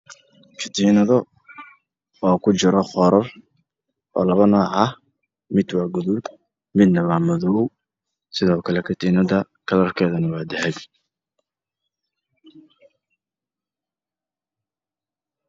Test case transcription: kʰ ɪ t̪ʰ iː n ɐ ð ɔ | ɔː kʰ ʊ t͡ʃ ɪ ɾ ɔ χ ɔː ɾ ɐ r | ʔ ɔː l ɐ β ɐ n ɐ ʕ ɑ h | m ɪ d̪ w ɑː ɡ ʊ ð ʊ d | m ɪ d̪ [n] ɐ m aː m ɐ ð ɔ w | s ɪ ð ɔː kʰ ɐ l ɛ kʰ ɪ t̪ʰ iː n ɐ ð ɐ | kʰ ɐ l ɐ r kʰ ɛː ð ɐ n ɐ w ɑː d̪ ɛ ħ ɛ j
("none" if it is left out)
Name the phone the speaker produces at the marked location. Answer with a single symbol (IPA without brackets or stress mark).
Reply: n